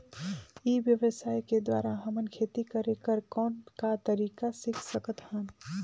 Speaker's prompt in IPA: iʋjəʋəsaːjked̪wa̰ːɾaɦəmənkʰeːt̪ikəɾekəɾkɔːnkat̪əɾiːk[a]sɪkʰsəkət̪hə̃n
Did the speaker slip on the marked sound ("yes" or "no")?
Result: no